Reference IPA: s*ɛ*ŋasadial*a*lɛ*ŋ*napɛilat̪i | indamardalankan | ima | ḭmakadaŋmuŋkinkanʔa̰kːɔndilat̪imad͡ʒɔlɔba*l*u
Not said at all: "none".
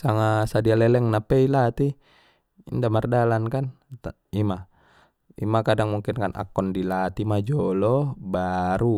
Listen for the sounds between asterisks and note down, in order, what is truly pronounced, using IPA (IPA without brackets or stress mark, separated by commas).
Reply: a, ɛ, ŋ, ɾ